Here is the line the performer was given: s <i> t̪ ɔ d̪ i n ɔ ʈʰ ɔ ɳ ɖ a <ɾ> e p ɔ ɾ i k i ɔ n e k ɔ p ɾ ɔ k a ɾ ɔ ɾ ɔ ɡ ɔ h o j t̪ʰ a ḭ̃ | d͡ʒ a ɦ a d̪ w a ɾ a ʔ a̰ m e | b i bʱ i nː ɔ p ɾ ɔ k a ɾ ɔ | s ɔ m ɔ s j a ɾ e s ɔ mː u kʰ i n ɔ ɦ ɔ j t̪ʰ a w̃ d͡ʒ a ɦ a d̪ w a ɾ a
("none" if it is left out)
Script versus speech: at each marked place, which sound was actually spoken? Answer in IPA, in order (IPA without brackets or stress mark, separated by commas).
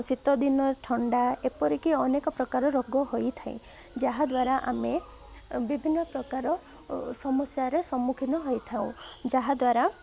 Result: i, none